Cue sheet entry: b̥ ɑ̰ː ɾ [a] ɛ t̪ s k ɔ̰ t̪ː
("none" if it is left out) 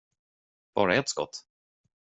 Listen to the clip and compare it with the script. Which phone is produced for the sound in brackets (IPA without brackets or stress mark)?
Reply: a